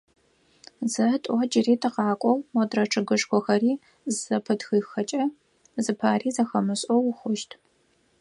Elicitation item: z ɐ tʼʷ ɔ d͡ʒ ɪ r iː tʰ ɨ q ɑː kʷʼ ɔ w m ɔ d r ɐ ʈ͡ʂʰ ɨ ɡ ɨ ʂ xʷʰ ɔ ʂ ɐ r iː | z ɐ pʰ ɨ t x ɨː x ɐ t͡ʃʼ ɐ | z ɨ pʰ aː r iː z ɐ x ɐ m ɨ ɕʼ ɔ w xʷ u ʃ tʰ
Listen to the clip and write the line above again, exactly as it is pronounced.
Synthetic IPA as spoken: z ɐ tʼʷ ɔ d͡ʒ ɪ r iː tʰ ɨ q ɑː kʷʼ ɔ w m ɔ d r ɐ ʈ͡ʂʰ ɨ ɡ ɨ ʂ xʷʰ ɔ x ɐ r iː | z ɐ pʰ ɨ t x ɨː x ɐ t͡ʃʼ ɐ | z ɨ pʰ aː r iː z ɐ x ɐ m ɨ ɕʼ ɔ w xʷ ʊ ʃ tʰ